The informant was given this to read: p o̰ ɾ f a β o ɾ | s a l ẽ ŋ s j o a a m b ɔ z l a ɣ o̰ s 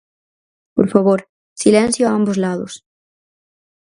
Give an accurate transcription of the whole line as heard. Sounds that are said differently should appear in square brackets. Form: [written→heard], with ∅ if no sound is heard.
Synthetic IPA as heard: p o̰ ɾ f a β o ɾ | s [a→i] l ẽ [ŋ→n] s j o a a m b [ɔ→o] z l a [ɣ→ð] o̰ s